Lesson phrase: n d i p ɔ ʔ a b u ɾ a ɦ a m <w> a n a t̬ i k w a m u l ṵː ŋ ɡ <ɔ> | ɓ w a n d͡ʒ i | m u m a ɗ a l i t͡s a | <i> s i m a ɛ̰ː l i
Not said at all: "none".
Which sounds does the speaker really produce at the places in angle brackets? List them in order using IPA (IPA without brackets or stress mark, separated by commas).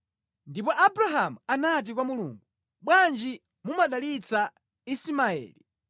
u, u, i